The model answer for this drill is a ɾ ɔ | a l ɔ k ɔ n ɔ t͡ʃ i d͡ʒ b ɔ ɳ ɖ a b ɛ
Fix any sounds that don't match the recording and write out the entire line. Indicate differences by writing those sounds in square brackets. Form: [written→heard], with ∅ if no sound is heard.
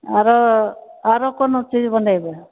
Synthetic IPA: a ɾ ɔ | a [l→ɾ] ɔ k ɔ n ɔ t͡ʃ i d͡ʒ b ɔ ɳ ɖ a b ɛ